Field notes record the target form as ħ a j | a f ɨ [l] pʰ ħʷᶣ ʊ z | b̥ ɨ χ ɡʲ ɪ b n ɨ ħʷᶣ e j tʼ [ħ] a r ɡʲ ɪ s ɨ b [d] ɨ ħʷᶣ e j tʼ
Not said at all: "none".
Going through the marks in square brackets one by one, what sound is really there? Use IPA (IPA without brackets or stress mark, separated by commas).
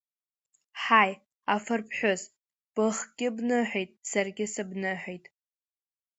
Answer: r, s, n